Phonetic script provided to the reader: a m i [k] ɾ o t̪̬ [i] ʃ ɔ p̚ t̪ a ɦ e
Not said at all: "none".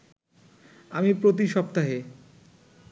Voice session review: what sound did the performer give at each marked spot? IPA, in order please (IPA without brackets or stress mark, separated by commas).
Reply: p, i